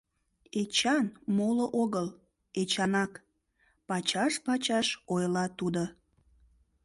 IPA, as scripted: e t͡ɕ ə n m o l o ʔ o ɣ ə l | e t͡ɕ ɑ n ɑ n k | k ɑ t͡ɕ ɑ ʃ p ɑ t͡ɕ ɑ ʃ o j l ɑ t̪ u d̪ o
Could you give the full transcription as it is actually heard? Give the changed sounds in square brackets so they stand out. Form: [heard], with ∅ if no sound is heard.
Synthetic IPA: e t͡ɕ [ɑ] n m o l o ʔ o ɣ ə l | e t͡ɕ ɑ n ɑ [∅] k | [p] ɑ t͡ɕ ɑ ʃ p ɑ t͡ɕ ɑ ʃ o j l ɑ t̪ u d̪ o